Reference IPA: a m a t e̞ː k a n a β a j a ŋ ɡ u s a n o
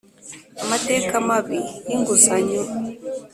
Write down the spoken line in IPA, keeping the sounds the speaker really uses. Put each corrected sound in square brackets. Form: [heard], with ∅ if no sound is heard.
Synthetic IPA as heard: a m a t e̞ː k a [m] a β [i] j [i] ŋ ɡ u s a [ɲ] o